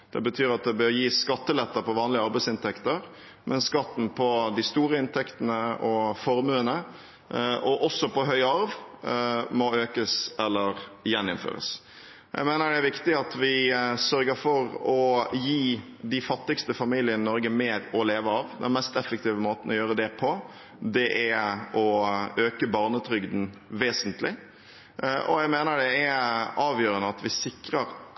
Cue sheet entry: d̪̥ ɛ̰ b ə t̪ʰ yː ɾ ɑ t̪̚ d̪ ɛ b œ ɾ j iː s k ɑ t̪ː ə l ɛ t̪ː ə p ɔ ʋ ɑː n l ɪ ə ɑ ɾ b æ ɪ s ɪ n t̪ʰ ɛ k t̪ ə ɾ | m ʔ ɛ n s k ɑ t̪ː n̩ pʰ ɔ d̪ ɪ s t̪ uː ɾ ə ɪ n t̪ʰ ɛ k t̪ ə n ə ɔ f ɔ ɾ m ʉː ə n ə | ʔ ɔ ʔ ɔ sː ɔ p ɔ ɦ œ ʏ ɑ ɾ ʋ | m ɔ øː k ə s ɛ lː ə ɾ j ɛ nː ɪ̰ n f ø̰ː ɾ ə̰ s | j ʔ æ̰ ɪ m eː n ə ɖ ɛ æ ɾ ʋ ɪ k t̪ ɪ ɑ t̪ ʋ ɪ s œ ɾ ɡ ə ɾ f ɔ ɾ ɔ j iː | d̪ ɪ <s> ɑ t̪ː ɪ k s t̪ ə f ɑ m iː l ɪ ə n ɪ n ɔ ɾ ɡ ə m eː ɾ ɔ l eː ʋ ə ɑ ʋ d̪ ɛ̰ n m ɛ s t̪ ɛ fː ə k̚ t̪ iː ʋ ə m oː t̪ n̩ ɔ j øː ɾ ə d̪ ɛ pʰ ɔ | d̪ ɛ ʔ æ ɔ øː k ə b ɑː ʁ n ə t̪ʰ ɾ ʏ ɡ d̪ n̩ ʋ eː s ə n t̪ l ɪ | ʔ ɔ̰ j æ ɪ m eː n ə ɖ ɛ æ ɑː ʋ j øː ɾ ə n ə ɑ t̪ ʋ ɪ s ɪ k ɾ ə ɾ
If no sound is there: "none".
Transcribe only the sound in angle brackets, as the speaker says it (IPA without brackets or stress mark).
f